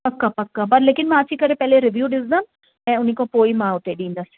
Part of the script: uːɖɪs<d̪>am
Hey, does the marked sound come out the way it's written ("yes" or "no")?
yes